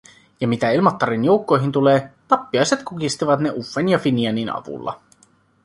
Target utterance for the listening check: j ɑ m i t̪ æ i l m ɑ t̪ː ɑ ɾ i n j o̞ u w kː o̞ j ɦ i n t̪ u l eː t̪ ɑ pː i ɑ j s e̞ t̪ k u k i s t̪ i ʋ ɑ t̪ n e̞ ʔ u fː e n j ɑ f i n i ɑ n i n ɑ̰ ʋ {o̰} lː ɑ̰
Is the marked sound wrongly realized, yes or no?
yes